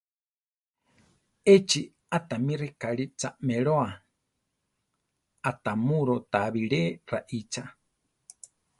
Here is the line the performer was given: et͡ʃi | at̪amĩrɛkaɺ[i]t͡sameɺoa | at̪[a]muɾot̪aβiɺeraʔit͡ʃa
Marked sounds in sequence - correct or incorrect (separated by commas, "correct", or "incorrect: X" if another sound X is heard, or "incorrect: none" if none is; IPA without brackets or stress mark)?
correct, correct